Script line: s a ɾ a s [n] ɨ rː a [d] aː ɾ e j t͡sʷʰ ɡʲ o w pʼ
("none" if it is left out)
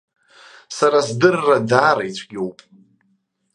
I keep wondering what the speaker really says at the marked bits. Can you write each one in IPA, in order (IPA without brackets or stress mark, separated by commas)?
d, d